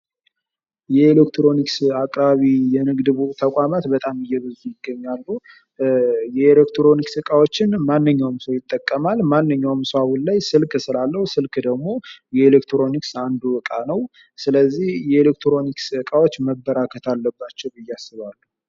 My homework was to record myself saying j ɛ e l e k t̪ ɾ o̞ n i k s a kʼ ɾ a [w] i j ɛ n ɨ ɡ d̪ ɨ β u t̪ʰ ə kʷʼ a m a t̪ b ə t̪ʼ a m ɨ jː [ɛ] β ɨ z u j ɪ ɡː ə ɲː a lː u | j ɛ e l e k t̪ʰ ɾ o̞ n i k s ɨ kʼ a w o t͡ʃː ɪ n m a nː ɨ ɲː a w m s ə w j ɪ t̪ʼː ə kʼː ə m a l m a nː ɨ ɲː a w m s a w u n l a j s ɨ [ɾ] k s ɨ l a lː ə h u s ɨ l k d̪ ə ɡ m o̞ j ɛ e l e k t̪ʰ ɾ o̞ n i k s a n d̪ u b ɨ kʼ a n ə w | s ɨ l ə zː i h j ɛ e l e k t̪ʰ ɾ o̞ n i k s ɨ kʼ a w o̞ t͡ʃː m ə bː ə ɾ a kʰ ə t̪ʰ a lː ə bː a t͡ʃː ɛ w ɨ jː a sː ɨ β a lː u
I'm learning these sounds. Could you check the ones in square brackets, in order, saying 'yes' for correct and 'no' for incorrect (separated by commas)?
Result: no, yes, no